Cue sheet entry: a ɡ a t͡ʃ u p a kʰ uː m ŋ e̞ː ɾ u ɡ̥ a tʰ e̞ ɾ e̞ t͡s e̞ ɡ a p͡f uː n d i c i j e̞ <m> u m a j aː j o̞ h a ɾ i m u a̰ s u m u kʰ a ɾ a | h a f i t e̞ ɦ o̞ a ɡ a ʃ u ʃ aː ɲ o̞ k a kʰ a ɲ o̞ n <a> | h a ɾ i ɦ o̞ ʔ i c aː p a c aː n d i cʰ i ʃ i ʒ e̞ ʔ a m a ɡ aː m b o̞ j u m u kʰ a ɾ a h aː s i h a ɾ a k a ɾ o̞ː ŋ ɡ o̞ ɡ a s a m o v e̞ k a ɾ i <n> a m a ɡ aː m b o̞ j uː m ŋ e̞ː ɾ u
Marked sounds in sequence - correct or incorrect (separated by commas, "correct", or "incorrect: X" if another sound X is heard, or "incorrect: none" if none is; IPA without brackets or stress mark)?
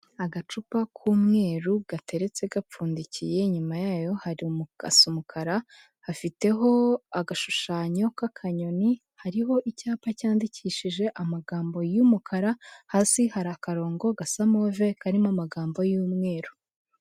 incorrect: ɲ, incorrect: i, incorrect: m